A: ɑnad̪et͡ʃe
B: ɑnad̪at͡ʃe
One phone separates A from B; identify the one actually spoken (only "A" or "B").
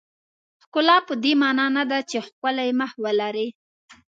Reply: B